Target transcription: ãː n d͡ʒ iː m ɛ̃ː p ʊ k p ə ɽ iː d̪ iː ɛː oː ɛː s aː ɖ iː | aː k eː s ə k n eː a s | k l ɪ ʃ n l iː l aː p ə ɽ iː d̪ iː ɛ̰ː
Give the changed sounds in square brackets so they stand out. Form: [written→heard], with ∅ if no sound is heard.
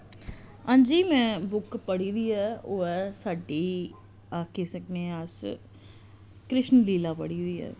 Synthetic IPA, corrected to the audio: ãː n d͡ʒ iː m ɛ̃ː [p→b] ʊ k p ə ɽ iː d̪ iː ɛː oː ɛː s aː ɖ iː | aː k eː s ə k n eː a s | k [l→ɾ] ɪ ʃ n l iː l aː p ə ɽ iː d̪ iː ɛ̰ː